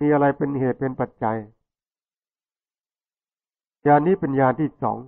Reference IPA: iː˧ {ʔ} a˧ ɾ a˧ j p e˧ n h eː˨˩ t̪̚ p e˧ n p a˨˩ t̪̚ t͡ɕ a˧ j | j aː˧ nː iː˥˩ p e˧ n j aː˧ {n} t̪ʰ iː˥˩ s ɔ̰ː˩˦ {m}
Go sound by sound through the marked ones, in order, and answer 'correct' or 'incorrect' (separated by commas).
correct, correct, incorrect